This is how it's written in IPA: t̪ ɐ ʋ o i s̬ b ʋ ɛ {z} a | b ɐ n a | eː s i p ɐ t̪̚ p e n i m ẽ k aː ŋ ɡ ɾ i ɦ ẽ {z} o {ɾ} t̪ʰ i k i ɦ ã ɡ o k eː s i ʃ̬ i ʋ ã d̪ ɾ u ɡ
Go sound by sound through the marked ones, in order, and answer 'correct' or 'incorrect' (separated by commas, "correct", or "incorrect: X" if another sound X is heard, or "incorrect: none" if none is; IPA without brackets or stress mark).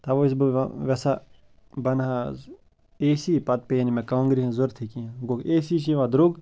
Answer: incorrect: s, correct, correct